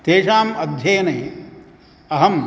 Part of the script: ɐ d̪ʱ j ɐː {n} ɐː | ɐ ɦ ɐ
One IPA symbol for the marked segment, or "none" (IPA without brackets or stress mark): n